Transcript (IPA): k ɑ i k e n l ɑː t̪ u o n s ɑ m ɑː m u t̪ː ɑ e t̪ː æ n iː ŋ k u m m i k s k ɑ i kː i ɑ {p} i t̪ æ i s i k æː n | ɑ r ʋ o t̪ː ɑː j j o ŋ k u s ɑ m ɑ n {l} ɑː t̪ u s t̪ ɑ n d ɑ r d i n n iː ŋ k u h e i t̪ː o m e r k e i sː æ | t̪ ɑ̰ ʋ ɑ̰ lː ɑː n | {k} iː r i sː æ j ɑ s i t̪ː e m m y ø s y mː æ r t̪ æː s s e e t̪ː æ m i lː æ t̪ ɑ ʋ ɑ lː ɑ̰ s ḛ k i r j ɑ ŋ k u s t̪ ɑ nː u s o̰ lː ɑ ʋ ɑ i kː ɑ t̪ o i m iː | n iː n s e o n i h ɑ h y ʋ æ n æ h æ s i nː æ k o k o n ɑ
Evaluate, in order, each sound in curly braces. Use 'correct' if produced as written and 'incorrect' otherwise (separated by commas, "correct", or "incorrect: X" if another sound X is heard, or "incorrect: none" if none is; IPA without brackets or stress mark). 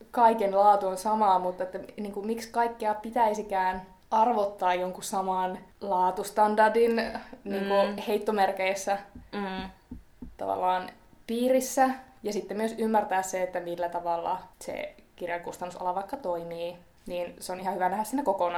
correct, correct, incorrect: p